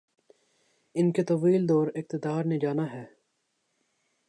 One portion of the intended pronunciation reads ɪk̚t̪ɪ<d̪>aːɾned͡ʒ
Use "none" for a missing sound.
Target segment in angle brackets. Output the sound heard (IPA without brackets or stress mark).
d̪